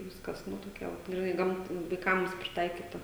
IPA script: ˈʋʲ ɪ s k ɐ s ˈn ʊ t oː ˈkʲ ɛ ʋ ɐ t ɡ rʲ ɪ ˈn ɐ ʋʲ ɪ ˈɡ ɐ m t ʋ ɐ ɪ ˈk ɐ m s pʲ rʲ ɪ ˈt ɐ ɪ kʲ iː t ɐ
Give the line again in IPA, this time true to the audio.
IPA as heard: ˈʋʲ ɪ s k ɐ s ˈn ʊ t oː ˈkʲ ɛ ʋ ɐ t ɡ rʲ ɪ ˈn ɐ ɪ ˈɡ ɐ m t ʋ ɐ ɪ ˈk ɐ m s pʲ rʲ ɪ ˈt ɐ ɪ kʲ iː t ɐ